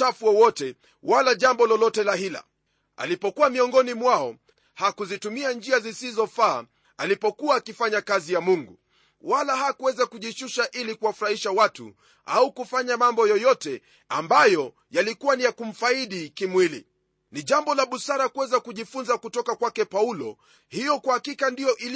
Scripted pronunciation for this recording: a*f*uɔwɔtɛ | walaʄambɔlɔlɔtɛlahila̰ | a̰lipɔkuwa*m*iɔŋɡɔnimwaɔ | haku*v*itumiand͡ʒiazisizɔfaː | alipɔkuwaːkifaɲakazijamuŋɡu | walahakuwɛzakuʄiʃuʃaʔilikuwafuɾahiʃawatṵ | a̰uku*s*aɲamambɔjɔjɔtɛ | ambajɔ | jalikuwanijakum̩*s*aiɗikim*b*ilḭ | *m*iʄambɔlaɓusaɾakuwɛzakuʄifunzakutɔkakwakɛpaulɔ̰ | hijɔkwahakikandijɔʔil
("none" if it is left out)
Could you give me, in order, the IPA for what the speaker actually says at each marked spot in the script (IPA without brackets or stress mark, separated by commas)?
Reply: f, m, z, f, f, w, n